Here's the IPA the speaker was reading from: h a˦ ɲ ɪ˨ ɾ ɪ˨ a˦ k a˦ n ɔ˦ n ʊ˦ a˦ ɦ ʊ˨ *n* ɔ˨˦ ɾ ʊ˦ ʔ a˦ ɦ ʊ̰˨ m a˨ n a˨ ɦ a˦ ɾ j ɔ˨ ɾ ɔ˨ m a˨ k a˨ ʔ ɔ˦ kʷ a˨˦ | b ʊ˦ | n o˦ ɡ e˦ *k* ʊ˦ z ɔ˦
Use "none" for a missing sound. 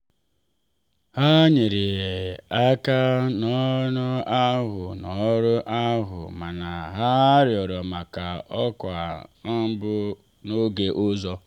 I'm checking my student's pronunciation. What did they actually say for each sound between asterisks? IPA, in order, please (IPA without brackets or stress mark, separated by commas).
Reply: n, ʔ